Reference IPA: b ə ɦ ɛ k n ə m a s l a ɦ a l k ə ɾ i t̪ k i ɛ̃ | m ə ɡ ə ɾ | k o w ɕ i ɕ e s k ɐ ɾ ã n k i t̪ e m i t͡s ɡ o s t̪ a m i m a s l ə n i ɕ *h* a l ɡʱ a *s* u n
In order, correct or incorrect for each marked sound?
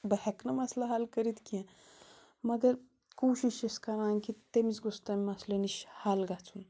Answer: correct, incorrect: t͡s

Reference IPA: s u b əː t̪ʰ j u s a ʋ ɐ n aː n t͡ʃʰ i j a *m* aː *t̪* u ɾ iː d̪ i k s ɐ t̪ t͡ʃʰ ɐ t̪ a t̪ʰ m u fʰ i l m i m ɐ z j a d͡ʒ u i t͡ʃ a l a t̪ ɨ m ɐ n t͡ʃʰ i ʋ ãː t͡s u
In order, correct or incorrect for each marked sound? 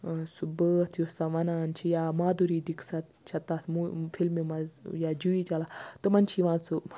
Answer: correct, incorrect: d̪

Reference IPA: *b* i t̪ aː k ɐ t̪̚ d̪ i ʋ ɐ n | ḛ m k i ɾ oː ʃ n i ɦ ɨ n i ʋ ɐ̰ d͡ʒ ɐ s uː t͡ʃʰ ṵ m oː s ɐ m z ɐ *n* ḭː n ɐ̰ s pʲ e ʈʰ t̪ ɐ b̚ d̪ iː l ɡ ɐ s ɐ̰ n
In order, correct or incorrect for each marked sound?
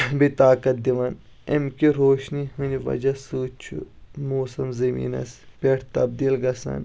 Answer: correct, incorrect: m

